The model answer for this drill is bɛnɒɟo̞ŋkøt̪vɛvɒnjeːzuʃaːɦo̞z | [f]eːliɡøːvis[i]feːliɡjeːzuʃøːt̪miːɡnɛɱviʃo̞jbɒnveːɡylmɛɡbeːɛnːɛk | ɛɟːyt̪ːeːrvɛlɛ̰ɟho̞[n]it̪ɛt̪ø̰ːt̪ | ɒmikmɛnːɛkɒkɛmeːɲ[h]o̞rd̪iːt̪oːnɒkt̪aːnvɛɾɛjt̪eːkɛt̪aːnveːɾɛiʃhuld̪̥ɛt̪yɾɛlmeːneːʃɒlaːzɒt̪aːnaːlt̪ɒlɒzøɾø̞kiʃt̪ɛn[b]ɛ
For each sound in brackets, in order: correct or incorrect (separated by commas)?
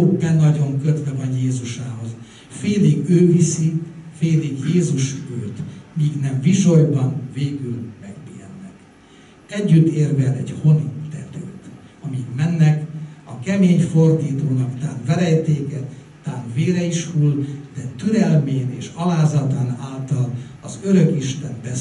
correct, correct, correct, incorrect, correct